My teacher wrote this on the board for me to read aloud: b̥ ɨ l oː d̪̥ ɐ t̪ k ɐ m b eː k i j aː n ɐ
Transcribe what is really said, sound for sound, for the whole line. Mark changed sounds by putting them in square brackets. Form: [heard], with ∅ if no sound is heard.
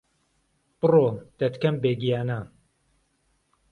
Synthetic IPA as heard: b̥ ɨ [r] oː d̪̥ ɐ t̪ k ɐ m b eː [ɡ] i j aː n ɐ

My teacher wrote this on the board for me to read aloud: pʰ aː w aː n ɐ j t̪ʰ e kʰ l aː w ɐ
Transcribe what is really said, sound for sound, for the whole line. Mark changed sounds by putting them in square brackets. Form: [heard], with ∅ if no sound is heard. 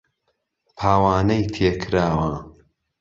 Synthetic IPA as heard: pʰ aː w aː n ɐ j t̪ʰ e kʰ [ɾ] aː w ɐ

